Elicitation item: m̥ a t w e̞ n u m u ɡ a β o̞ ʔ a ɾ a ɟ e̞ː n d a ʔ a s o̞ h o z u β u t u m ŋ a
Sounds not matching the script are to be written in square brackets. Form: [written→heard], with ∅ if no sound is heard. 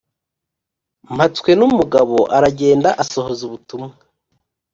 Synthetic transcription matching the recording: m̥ a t w e̞ n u m u ɡ a β o̞ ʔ a ɾ a ɟ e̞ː n d a ʔ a s o̞ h o z u β u t u m ŋ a